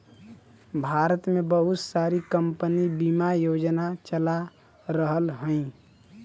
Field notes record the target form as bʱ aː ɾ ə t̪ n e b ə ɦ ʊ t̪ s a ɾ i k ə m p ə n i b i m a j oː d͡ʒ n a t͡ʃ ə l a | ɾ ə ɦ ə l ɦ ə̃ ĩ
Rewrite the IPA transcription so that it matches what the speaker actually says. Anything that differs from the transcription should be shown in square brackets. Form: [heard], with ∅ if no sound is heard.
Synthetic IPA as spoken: bʱ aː ɾ ə t̪ [m] e b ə ɦ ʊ t̪ s a ɾ i k ə m p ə n i b i m a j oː d͡ʒ n a t͡ʃ ə l a | ɾ ə ɦ ə l ɦ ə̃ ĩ